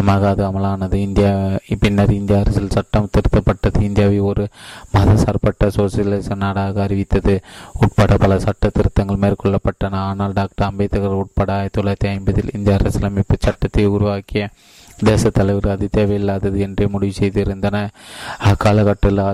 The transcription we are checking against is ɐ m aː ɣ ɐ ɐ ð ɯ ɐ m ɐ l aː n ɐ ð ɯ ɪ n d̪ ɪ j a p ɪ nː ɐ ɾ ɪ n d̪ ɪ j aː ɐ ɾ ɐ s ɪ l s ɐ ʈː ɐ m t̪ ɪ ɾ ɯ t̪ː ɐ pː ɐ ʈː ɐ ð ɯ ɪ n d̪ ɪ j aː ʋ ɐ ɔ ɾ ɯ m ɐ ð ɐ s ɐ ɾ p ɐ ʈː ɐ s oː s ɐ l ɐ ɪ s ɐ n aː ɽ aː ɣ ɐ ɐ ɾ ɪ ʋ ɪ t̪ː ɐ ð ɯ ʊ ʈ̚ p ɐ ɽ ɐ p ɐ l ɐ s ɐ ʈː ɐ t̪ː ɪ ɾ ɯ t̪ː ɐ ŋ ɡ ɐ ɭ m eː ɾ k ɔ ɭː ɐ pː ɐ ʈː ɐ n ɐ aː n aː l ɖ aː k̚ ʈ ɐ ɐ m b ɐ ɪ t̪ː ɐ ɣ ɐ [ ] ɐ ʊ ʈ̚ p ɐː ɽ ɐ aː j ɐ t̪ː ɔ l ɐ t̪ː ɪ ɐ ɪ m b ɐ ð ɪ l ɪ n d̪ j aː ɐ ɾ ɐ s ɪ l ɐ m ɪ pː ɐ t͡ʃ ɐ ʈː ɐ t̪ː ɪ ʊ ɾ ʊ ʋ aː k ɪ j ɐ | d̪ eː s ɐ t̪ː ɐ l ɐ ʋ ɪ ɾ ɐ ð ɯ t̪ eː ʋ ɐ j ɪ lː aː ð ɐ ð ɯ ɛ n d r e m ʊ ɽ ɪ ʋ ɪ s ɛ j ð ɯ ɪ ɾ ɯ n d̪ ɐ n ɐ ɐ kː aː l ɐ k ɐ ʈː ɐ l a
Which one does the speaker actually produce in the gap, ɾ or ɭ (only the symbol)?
ɾ